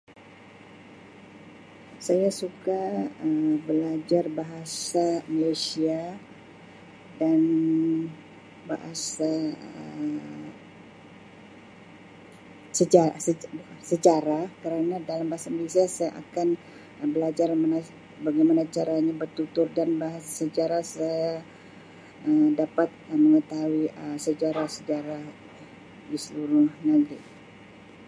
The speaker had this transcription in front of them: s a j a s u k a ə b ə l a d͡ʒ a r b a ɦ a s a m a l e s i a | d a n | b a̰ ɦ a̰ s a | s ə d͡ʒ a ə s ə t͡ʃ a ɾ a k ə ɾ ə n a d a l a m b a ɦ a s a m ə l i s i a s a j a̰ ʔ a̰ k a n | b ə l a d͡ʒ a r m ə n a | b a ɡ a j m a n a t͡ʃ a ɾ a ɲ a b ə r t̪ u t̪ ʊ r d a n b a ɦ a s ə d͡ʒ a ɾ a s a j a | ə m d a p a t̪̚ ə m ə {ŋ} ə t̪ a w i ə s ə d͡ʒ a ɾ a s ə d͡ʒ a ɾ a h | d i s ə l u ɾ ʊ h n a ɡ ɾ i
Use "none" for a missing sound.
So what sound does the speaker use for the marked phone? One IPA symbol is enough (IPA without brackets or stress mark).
ŋ